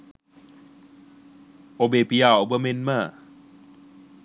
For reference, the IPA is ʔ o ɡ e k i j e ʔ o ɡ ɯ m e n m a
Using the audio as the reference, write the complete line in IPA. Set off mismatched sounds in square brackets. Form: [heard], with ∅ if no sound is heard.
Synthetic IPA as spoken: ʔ o [b] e [p] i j [a] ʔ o [b] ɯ m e n m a